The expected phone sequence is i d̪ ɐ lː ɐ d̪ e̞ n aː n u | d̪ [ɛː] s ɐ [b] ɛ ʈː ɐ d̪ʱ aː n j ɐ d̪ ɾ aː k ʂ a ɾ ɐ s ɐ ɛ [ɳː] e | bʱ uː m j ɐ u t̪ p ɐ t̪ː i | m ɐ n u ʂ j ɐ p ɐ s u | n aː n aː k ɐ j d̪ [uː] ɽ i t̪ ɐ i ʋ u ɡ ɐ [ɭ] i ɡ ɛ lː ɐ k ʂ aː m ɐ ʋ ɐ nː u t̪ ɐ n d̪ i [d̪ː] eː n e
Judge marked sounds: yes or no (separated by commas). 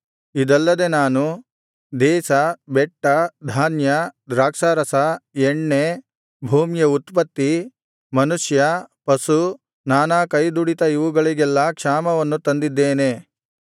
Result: yes, yes, yes, no, yes, yes